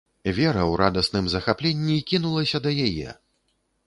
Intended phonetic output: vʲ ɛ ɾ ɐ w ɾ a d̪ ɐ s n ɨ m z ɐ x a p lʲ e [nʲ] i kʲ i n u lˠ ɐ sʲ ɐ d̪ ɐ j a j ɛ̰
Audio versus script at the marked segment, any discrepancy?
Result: yes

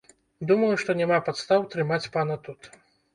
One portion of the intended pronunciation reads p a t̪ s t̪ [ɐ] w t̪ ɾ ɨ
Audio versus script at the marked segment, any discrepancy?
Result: yes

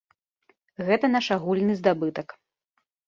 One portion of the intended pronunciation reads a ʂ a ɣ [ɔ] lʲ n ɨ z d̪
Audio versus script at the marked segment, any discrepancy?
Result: yes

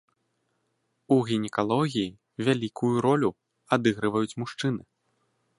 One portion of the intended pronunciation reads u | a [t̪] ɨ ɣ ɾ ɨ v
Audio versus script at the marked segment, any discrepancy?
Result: yes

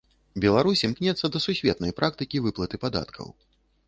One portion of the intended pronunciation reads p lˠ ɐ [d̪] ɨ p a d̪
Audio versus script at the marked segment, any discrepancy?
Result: yes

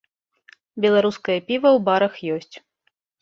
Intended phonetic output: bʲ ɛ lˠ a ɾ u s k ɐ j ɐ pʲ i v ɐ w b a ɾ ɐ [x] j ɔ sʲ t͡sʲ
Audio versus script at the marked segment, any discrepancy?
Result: no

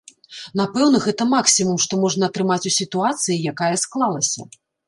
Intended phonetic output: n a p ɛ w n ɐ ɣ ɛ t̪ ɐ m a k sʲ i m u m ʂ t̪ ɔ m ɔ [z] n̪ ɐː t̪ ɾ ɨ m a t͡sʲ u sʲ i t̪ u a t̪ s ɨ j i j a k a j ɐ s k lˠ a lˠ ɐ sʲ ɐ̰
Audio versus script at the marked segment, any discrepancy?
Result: yes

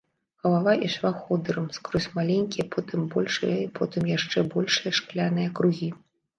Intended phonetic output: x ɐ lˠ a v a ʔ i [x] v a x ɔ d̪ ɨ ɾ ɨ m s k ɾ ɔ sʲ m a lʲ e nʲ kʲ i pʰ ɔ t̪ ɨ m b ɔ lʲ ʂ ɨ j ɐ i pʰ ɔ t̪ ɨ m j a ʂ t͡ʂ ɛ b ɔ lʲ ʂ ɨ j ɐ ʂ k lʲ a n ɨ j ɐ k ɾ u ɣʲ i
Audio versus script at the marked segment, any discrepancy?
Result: yes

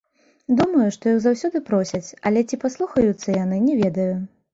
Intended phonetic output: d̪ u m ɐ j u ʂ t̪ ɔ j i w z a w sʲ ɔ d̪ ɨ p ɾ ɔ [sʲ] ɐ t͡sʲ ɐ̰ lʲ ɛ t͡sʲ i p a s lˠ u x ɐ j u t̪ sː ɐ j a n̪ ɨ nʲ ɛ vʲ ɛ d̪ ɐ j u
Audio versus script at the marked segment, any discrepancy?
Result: no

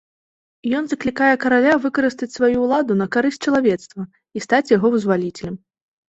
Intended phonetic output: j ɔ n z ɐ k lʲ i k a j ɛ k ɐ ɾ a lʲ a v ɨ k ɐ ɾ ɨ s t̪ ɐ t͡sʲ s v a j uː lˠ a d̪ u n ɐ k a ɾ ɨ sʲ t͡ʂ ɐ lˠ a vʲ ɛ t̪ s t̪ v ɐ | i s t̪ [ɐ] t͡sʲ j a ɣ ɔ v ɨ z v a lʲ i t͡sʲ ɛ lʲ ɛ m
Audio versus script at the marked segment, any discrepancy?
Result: yes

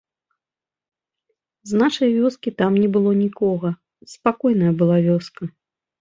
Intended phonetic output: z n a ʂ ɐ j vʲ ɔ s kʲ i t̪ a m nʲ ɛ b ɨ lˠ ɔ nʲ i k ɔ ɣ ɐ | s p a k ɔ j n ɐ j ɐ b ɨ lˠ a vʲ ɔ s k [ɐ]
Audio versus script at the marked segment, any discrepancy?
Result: no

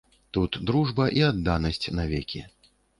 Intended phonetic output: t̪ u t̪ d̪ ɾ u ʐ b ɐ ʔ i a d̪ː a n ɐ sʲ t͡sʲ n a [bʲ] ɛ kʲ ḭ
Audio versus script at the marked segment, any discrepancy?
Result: yes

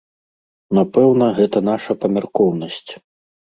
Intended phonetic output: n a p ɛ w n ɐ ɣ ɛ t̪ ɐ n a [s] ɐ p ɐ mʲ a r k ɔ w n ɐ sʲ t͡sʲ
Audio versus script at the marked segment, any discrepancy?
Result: yes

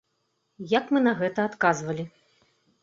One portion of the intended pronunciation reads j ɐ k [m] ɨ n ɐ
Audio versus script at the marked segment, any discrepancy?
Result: no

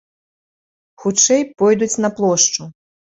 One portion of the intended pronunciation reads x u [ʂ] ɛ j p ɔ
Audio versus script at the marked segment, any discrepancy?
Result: yes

